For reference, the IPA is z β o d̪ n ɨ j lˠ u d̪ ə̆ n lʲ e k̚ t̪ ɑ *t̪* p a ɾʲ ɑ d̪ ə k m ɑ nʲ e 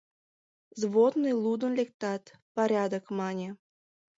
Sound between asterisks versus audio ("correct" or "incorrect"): correct